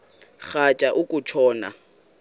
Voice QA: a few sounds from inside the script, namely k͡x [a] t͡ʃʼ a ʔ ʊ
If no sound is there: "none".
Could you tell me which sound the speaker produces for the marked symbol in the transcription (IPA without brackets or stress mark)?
a